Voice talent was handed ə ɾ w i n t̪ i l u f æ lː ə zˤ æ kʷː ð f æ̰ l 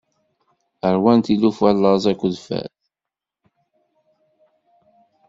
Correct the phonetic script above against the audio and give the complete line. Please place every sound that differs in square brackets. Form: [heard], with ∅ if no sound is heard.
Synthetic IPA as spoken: ə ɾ w [æ] n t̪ i l u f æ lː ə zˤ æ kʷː ð f æ̰ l